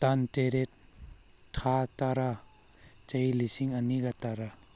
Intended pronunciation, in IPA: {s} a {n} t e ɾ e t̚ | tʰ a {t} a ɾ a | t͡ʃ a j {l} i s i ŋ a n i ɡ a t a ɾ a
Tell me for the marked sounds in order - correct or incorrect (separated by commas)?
incorrect, correct, correct, correct